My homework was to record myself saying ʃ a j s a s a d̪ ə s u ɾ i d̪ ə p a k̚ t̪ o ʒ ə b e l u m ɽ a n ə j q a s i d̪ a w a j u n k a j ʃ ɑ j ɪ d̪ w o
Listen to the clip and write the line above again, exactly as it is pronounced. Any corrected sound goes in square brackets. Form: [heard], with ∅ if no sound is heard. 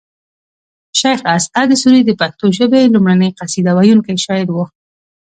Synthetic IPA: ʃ a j [x] a s a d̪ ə s u ɾ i d̪ ə p a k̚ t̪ o ʒ ə b e l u m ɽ a n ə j q a s i d̪ a w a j u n k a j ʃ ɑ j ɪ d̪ w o